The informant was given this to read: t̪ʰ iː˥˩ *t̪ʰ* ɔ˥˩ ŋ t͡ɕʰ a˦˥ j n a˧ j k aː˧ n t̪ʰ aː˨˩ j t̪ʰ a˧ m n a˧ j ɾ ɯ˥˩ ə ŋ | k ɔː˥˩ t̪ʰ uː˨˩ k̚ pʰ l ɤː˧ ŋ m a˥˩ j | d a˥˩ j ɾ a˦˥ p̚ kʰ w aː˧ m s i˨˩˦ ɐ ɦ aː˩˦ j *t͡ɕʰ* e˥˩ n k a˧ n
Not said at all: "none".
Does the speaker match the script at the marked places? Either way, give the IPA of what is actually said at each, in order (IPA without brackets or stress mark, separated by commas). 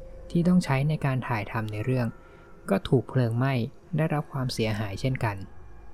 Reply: t̪, t͡ɕʰ